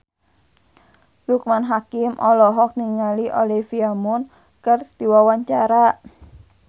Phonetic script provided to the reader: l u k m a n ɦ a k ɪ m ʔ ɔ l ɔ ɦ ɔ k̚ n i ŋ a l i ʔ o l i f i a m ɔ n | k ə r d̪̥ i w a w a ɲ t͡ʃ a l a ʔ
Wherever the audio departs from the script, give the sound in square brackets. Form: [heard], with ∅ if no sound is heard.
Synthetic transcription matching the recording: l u k m a n ɦ a k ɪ m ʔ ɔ l ɔ ɦ ɔ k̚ n i ŋ a l i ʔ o l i f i a m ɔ n | k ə r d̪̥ i w a w a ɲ t͡ʃ a [ɾ] a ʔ